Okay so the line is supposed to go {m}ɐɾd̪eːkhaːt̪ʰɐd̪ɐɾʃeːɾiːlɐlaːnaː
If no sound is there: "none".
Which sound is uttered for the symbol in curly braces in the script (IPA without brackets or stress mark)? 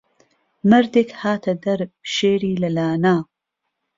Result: m